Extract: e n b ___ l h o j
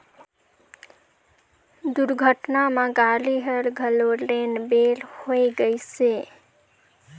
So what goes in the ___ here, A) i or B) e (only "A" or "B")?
B